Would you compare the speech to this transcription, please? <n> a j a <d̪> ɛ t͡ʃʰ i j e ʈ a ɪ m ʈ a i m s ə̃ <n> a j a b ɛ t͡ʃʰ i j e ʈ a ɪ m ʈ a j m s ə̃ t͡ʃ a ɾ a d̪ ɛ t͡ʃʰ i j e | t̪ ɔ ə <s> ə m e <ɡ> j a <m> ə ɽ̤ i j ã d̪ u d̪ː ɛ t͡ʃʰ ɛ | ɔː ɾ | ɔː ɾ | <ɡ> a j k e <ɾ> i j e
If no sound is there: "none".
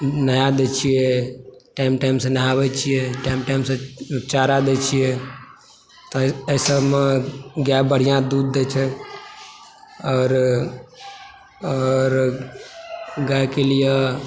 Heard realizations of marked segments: n, d̪, n, s, ɡ, b, ɡ, l

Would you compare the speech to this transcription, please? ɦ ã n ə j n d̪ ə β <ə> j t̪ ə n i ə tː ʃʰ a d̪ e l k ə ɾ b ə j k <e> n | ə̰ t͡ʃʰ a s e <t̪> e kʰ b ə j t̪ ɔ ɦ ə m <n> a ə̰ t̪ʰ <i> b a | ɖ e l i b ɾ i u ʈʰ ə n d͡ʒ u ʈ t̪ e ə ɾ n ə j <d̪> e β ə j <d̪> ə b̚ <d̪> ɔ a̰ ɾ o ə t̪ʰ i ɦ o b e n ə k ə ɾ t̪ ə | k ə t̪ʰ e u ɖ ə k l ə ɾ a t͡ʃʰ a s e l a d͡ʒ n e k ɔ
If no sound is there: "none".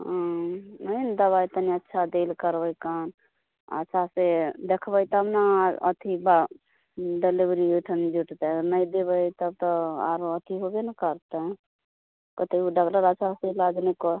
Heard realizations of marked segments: a, a, d̪, n, i, d̪, t̪, t̪

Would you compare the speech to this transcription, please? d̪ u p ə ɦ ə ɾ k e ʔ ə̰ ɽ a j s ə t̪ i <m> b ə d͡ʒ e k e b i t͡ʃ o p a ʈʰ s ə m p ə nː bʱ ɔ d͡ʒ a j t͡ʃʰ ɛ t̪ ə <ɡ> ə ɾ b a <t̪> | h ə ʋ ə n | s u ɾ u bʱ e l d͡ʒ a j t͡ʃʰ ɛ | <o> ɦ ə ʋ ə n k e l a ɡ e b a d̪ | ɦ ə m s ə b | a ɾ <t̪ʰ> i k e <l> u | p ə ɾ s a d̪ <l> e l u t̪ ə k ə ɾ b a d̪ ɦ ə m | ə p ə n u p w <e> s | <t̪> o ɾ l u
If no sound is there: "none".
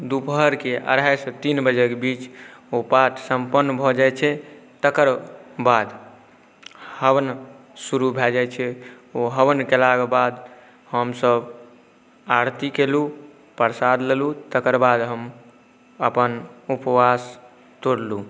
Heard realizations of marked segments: n, k, d̪, o, t̪, l, l, a, t̪

